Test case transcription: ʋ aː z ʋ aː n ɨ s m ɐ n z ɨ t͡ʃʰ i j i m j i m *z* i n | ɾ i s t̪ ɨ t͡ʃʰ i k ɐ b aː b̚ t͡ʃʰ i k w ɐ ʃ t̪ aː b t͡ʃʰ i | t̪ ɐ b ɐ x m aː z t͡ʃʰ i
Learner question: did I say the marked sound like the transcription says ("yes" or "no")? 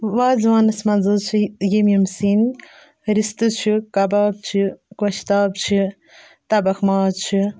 no